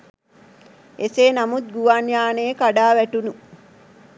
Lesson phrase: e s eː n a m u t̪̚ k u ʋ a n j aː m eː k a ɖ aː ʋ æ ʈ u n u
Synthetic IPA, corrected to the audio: e s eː n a m u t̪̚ ɡ u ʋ a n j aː n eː k a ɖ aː ʋ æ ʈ u n u